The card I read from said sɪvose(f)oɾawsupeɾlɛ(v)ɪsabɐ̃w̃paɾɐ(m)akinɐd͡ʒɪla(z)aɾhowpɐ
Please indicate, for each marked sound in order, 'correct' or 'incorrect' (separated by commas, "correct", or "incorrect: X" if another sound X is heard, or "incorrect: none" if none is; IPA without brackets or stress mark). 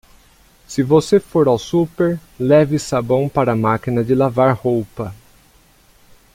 correct, correct, correct, incorrect: v